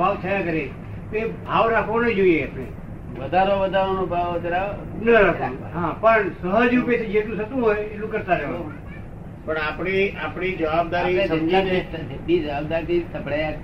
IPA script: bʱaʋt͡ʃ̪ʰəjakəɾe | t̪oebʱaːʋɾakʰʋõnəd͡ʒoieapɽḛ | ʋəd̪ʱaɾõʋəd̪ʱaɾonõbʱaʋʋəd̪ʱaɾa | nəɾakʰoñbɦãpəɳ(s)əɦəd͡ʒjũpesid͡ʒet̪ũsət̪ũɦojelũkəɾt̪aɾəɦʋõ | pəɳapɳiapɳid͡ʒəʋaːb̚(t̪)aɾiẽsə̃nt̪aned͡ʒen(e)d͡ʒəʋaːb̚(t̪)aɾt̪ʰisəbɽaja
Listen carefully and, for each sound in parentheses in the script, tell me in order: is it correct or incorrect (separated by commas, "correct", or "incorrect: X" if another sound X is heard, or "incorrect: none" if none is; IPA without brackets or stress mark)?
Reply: correct, incorrect: d̪, incorrect: i, incorrect: d̪